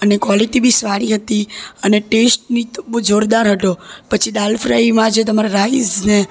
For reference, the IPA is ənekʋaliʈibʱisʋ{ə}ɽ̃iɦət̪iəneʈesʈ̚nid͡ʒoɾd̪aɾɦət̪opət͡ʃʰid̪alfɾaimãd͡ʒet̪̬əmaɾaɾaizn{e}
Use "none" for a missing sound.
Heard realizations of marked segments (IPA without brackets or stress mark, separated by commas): a, e